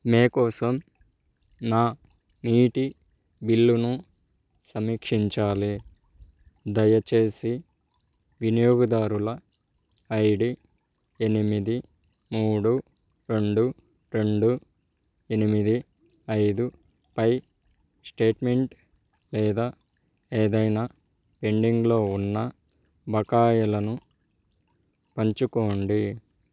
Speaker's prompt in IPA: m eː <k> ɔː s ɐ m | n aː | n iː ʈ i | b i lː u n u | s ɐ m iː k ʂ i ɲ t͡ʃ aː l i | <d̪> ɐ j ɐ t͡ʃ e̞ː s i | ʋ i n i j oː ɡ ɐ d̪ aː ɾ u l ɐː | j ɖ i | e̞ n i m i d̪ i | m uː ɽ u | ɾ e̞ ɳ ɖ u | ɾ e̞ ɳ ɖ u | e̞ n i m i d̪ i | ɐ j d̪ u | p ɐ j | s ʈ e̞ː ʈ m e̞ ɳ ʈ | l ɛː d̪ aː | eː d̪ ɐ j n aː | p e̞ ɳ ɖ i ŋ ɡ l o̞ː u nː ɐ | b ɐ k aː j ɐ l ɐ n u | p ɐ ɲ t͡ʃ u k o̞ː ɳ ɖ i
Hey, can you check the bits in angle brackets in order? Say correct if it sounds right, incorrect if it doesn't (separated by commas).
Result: correct, correct